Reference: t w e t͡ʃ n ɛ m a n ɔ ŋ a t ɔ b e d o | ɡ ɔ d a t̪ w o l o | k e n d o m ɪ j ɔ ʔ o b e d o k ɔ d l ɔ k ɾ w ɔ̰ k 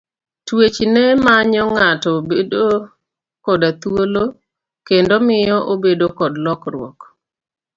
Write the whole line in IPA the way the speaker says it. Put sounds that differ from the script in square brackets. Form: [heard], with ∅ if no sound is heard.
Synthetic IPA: t w e t͡ʃ n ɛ m a [ɲ] ɔ ŋ a t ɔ b e d o | [k] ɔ d a t̪ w o l o | k e n d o m ɪ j ɔ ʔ o b e d o k ɔ d l ɔ k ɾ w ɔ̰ k